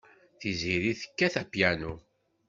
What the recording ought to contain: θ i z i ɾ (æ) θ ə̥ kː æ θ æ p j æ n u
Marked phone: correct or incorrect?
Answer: incorrect